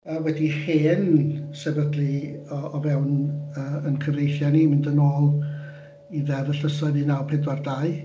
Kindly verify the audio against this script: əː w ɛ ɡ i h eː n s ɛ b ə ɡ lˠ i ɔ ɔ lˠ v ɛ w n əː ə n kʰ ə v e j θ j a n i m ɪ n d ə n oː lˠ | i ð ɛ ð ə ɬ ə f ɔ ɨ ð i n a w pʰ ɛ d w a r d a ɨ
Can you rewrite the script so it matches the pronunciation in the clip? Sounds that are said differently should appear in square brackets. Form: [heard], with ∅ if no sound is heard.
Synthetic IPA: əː w ɛ [d] i h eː n s ɛ b ə [d] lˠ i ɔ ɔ [∅] v ɛ w n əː ə n kʰ ə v e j θ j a n i m ɪ n d ə n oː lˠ | i ð ɛ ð ə ɬ ə [s] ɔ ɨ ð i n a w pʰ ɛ d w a r d a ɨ

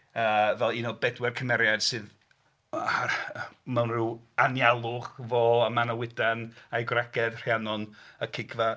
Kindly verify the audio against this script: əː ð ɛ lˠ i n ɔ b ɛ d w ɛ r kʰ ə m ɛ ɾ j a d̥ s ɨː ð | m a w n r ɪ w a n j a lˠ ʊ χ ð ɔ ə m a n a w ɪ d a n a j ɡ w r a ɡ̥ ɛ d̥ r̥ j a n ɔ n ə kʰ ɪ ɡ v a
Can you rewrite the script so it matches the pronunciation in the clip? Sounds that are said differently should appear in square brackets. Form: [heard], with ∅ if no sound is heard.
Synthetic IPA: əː [v] ɛ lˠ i n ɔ b ɛ d w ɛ r kʰ ə m ɛ ɾ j a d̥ s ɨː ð | m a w n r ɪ w a n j a lˠ ʊ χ [v] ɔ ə m a n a w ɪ d a n a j ɡ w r a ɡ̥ ɛ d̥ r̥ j a n ɔ n ə kʰ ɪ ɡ v a

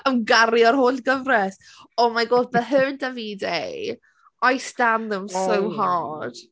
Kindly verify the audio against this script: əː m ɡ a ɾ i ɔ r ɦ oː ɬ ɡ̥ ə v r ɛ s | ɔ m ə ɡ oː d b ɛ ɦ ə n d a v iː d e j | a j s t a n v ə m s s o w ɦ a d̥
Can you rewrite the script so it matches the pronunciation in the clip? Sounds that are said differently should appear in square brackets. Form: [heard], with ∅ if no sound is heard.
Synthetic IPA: [ə] m ɡ a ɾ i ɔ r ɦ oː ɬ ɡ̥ ə v r ɛ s | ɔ m [a] ɡ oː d b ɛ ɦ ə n d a v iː d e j | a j s t a n [ð] ə m s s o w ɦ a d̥

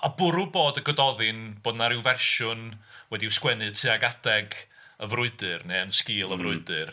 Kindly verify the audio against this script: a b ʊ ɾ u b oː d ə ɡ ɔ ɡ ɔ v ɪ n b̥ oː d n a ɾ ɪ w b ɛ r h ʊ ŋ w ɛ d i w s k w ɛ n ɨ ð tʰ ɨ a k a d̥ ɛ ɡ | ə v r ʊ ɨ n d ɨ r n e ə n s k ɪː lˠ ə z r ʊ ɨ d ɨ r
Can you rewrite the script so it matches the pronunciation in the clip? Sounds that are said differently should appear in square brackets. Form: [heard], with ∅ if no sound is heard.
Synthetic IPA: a b ʊ ɾ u b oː d ə ɡ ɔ [d] ɔ [ð] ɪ n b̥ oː d n a ɾ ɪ w [v] ɛ r [ʃ] ʊ [n] w ɛ d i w s k w ɛ n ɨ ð tʰ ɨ a [ɡ] a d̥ ɛ ɡ | ə v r ʊ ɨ [∅] d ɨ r n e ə n s k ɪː lˠ ə [v] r ʊ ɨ d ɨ r

